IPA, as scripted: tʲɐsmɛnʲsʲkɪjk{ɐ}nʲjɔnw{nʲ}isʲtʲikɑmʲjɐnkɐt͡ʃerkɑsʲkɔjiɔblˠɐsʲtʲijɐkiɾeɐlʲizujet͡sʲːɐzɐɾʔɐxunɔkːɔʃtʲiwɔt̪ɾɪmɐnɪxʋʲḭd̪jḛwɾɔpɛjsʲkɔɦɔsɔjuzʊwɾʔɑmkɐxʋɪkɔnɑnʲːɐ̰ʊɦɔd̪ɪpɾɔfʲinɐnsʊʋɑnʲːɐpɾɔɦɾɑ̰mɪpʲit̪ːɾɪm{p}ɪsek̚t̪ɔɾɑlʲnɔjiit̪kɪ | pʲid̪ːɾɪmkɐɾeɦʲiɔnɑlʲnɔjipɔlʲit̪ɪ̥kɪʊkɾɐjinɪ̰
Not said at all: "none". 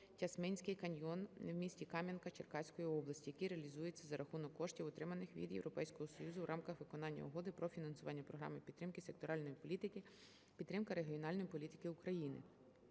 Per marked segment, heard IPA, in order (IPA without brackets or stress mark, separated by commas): ɐ, mʲ, k